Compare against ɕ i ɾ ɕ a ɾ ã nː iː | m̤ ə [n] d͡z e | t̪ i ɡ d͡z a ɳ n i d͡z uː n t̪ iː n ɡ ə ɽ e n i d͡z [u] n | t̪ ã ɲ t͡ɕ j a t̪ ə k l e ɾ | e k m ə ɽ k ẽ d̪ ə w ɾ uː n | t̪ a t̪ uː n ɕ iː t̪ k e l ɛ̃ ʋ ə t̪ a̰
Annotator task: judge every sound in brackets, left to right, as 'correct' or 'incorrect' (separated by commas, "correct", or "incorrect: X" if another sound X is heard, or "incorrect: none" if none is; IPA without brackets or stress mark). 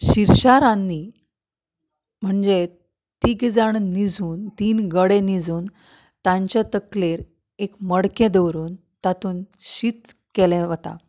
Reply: incorrect: ɳ, incorrect: uː